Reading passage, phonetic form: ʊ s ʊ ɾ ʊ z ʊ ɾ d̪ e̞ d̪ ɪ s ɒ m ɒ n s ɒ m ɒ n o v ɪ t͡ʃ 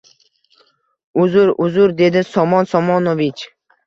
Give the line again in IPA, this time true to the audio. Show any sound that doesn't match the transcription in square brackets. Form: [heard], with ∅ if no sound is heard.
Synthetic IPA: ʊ [z] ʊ ɾ ʊ z ʊ ɾ d̪ e̞ d̪ ɪ s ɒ m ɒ n s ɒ m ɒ n o v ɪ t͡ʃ